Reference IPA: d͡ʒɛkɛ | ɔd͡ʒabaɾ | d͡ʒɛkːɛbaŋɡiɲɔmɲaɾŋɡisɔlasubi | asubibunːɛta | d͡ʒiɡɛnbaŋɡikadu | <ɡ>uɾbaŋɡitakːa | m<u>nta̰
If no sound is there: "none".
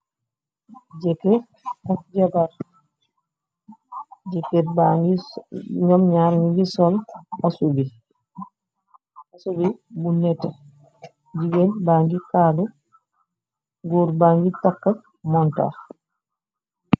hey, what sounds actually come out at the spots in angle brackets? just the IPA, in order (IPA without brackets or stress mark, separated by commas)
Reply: ɡ, ɔ